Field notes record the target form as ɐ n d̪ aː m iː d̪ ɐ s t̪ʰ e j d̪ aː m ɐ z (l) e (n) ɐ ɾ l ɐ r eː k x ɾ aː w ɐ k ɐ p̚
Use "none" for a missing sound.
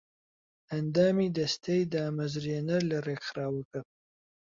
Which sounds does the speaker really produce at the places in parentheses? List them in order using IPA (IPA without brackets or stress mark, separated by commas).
ɾ, n